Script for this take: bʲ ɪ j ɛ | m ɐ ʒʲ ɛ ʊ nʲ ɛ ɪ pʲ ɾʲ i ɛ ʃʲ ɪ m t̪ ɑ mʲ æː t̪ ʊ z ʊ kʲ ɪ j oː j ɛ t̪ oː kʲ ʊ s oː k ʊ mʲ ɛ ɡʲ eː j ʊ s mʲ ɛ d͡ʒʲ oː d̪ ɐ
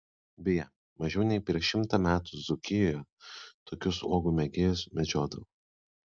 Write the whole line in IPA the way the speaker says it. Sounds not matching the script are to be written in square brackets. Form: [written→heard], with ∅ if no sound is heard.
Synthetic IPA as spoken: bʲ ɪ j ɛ | m ɐ ʒʲ ɛ ʊ nʲ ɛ ɪ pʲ ɾʲ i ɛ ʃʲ ɪ m t̪ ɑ mʲ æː t̪ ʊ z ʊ kʲ ɪ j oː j ɛ t̪ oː kʲ ʊ s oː [k→ɡ] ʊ mʲ ɛ ɡʲ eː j ʊ s mʲ ɛ d͡ʒʲ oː d̪ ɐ